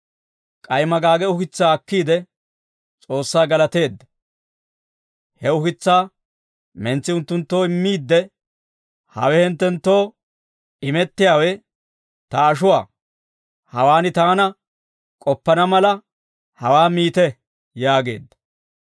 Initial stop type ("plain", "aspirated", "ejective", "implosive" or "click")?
ejective